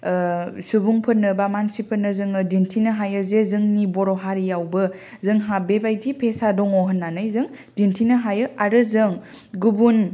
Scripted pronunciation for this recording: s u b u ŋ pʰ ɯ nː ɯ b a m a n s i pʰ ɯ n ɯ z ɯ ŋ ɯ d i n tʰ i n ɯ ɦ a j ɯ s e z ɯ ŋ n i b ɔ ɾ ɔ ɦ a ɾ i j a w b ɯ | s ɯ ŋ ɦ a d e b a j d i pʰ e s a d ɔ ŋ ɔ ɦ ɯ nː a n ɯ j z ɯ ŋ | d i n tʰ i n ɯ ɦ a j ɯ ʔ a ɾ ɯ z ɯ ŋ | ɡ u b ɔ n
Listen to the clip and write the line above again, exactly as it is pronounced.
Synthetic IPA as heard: s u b u ŋ pʰ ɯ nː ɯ b a m a n s i pʰ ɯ n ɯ z ɯ ŋ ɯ d i n tʰ i n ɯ ɦ a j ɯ z e z ɯ ŋ n i b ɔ ɾ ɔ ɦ a ɾ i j a w b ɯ | z ɯ ŋ ɦ a b e b a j d i pʰ e s a d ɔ ŋ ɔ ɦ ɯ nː a n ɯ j z ɯ ŋ | d i n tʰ i n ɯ ɦ a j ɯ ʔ a ɾ ɯ z ɯ ŋ | ɡ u b u n